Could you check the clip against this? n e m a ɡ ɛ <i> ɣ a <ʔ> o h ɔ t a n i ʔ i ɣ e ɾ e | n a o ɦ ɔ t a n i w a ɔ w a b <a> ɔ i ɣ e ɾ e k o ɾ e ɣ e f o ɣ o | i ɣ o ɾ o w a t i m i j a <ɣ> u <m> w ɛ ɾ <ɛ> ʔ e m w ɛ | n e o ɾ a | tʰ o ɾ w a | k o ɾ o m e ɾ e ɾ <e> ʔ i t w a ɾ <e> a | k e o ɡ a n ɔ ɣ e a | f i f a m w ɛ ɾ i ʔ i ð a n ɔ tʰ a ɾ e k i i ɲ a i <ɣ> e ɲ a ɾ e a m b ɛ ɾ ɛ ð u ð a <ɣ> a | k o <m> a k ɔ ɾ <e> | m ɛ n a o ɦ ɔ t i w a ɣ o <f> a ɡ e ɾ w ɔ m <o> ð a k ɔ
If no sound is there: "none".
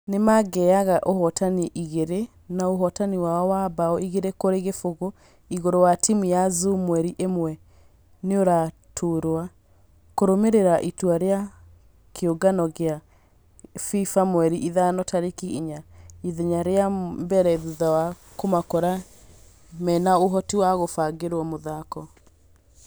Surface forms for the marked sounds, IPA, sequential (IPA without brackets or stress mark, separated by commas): a, ʔ, a, z, m, i, a, e, ð, w, m, a, f, o